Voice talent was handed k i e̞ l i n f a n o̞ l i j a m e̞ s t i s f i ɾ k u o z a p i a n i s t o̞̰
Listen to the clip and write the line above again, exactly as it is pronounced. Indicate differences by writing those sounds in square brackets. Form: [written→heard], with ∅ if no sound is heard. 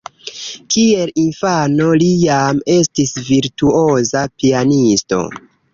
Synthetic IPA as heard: k i e̞ l i n f a n o̞ l i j a m e̞ s t i s [f→v] i ɾ [k→t] u o z a p i a n i s t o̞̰